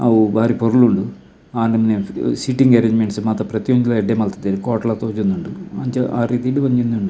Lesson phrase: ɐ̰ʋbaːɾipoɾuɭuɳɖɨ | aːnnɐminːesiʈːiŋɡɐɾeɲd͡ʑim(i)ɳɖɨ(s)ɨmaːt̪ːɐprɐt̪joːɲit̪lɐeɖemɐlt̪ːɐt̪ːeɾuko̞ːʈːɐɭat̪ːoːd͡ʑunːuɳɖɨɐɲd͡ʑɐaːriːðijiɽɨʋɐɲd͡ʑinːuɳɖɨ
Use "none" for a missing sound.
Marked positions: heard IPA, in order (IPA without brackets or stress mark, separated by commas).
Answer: e, s